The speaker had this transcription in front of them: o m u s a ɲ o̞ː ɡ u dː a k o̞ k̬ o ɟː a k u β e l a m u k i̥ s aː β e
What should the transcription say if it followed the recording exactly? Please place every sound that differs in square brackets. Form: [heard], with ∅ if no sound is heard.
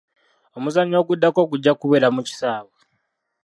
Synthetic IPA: o m u [z] a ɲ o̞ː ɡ u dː a k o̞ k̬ [u] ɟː a k u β e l a m u [c] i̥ s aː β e